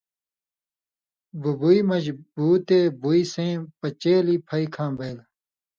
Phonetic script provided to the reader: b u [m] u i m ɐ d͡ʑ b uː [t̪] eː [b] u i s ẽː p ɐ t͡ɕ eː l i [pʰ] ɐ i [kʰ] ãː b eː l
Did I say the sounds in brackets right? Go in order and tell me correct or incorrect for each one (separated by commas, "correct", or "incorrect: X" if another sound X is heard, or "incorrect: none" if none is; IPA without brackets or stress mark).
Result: incorrect: b, correct, correct, correct, correct